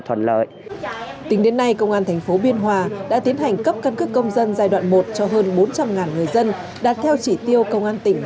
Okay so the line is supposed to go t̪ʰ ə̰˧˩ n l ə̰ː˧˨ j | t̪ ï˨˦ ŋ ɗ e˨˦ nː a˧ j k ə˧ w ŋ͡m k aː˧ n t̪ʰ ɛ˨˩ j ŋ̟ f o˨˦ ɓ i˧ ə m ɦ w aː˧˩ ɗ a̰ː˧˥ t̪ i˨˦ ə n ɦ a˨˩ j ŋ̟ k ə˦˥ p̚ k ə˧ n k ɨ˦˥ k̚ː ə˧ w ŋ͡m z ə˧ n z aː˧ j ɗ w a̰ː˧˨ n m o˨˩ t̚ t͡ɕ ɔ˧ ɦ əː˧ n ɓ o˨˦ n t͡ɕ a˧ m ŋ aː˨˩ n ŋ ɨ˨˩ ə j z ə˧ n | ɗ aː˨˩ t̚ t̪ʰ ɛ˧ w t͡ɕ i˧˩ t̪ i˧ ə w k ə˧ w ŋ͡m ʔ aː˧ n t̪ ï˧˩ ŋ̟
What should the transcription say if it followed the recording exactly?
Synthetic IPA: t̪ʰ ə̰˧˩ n l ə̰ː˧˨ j | t̪ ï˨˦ ŋ ɗ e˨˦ nː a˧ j k ə˧ w ŋ͡m ʔ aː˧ n t̪ʰ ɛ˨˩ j ŋ̟ f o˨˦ ɓ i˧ ə n ɦ w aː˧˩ ɗ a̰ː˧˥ t̪ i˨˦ ə n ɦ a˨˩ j ŋ̟ k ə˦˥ p̚ k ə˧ n k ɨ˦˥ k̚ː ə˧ w ŋ͡m z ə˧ n z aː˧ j ɗ w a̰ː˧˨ n m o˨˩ t̚ t͡ɕ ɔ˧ ɦ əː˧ n ɓ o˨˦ n t͡ɕ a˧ m ŋ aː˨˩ n ŋ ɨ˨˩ ə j z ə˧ n | ɗ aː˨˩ t̚ t̪ʰ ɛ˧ w t͡ɕ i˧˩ t̪ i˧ ə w k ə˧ w ŋ͡m ʔ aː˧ n t̪ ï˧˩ ŋ̟